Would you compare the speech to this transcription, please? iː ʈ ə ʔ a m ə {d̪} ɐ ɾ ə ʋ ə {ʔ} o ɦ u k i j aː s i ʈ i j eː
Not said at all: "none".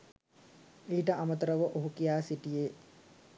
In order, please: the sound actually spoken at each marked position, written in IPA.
t̪, ʔ

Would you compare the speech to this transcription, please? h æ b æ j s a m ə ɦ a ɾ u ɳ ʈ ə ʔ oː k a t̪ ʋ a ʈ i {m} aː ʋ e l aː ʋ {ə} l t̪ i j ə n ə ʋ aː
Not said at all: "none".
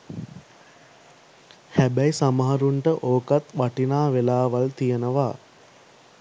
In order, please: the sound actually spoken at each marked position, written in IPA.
n, a

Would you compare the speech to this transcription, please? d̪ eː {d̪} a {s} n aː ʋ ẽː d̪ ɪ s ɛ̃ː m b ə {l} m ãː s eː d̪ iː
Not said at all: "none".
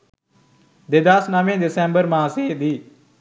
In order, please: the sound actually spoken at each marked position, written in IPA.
d̪, s, ɾ

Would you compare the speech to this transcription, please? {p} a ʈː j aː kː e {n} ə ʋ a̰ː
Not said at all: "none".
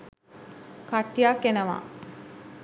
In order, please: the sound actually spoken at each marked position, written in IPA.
k, n

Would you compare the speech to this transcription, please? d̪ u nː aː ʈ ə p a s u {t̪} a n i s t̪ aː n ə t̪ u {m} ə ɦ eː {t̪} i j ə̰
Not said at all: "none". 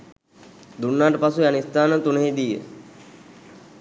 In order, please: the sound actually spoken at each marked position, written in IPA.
none, n, d̪

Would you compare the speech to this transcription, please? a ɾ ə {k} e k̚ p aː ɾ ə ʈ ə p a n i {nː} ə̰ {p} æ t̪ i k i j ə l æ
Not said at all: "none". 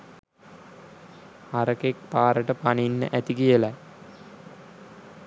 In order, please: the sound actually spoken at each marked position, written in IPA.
k, nː, ʔ

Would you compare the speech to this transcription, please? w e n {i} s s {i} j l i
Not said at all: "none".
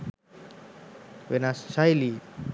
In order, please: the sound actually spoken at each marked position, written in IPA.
a, a

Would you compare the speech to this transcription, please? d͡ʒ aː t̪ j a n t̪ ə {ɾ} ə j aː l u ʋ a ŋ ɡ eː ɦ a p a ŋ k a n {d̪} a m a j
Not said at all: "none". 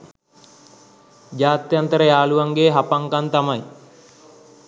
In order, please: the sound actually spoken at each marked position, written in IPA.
ɾ, t̪

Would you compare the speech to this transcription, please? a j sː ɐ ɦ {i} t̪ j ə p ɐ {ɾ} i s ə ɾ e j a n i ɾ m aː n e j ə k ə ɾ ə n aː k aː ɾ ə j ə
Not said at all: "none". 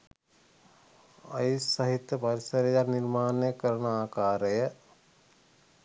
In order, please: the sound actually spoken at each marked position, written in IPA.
i, ɾ

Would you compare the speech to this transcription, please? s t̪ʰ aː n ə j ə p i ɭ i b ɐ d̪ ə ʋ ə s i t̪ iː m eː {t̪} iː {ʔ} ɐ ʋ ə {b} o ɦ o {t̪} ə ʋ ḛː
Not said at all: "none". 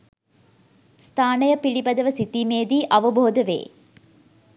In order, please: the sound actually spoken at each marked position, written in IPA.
d̪, ʔ, b, d̪

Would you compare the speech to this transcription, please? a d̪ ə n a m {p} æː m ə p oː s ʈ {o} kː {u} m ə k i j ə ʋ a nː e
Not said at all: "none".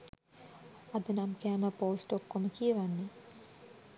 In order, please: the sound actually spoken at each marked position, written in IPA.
k, o, o

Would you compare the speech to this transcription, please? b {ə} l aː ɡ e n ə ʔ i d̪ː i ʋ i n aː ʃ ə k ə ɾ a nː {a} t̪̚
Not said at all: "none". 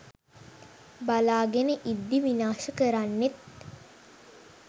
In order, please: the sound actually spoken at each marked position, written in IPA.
a, e

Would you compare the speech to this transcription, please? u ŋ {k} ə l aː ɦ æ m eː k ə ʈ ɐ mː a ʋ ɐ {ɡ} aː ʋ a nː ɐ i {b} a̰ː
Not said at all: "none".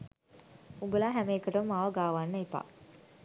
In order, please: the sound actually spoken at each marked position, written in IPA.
ɡ, ɡ, p

